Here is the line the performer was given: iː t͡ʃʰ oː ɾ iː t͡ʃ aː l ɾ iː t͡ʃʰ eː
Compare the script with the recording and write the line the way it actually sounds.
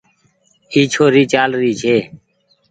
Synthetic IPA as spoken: iː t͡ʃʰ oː ɾ iː t͡ʃ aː l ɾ iː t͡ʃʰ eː